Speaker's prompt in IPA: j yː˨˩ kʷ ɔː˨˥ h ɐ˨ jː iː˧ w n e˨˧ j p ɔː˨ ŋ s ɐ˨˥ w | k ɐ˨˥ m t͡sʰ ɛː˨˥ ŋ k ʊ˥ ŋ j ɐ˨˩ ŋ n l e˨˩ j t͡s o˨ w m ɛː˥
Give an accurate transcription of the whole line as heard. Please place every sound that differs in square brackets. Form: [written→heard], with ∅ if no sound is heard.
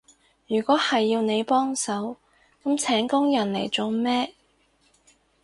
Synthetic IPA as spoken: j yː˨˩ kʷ ɔː˨˥ h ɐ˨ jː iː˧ w n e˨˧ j p [ɔː˨→ɔː˥] ŋ s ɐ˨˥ w | k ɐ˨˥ m t͡sʰ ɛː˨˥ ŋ k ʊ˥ ŋ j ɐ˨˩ [ŋ→∅] n l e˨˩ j t͡s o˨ w m ɛː˥

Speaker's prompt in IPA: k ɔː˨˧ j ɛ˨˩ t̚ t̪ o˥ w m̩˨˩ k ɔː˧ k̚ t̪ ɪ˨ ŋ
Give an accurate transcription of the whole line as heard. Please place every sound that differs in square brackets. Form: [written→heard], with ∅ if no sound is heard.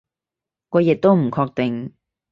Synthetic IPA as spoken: k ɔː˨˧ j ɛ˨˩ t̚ t̪ o˥ w m̩˨˩ [k→kʰ] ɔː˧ k̚ t̪ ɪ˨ ŋ

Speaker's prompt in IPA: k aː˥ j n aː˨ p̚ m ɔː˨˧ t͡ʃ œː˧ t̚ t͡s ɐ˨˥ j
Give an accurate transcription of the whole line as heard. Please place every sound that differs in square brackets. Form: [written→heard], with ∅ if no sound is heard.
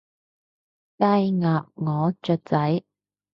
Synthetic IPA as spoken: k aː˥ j [n→ŋ] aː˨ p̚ [m→ŋ] ɔː˨˧ t͡ʃ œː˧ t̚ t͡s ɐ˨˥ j

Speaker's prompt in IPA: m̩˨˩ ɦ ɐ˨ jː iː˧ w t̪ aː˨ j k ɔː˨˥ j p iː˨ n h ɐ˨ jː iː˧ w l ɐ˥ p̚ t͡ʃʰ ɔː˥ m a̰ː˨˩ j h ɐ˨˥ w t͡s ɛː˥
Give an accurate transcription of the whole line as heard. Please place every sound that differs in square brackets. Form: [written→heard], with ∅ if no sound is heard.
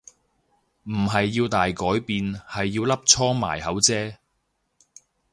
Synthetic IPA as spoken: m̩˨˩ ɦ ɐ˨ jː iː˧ w t̪ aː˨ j k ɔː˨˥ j p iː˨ n h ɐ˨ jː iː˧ w l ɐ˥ p̚ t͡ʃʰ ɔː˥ m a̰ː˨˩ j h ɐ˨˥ w t͡s ɛː˥

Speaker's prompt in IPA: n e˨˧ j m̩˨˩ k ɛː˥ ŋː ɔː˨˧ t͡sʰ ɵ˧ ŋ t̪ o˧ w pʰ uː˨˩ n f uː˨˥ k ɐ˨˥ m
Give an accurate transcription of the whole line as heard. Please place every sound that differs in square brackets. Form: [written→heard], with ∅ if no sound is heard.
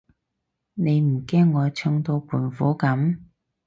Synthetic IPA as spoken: n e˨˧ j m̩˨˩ k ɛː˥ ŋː ɔː˨˧ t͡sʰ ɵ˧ ŋ t̪ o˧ w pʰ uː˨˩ n f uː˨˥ k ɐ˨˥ m

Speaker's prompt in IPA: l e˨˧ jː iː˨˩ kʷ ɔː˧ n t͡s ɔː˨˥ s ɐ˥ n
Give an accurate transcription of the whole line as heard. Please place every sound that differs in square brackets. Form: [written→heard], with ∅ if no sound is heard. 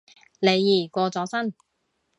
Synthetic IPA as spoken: l e˨˧ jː iː˨˩ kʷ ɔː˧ [n→∅] t͡s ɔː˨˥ s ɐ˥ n

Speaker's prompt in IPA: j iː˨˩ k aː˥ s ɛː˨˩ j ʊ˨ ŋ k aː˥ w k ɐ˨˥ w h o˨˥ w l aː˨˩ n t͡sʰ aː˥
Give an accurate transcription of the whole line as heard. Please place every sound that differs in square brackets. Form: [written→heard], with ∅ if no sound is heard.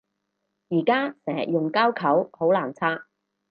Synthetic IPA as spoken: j iː˨˩ k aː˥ s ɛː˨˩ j ʊ˨ ŋ k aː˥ w [k→kʰ] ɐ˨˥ w h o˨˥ w l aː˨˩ n t͡sʰ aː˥

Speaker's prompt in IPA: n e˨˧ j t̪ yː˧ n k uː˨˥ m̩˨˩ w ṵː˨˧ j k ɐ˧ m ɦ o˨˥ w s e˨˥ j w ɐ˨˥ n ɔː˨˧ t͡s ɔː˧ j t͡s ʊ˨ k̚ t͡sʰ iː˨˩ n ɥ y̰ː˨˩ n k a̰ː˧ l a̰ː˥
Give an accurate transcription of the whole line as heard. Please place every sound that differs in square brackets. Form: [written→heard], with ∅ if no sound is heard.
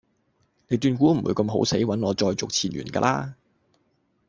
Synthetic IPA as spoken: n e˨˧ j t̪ yː˧ n k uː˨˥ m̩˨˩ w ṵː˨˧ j k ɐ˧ m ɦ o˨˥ w s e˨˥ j w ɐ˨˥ n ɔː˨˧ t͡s ɔː˧ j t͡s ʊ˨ k̚ t͡sʰ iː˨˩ n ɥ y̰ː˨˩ n k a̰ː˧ l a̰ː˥

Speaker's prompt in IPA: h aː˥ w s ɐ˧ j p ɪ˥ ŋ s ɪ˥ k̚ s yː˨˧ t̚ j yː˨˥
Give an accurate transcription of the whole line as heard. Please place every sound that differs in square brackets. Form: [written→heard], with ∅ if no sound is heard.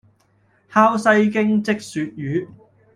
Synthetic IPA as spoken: h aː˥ w s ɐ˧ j [p→k] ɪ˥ ŋ [s→t͡s] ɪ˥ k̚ s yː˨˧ t̚ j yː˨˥

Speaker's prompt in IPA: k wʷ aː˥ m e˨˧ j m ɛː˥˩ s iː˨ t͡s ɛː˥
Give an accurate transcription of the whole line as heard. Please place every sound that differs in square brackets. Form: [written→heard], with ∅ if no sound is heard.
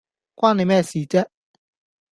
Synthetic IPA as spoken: k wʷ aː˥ [m→n] e˨˧ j m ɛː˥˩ s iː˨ t͡s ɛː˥

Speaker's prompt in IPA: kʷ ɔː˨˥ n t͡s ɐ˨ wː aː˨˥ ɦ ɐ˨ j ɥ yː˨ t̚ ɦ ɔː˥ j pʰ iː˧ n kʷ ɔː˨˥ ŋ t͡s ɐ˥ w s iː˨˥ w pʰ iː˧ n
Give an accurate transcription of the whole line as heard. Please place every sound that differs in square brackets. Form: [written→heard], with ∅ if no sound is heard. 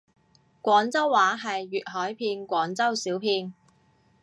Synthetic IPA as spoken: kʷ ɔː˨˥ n t͡s [ɐ˨→ɐ˥] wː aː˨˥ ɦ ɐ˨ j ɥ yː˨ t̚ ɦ [ɔː˥→ɔː˨˥] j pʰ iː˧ n kʷ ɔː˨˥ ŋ t͡s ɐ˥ w s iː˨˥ w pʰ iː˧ n

